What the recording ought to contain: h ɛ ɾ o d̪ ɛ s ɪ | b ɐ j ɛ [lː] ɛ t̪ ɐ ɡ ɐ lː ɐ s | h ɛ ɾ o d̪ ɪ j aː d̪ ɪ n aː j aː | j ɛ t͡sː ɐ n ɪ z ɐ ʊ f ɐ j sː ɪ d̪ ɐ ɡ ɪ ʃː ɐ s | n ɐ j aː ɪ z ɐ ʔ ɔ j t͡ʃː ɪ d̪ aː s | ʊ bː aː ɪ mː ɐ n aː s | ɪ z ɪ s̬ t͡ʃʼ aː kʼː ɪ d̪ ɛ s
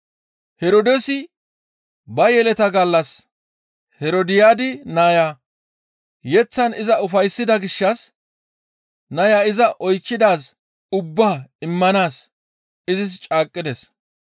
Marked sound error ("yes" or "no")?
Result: yes